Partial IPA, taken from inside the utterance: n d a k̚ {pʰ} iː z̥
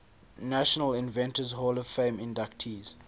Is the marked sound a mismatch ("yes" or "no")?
yes